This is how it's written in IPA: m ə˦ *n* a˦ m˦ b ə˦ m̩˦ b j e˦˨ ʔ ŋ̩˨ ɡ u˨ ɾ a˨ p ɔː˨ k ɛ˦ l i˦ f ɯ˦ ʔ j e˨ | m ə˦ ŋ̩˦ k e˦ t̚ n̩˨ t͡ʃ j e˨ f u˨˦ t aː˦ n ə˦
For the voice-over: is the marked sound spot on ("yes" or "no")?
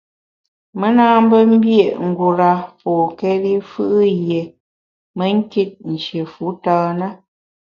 yes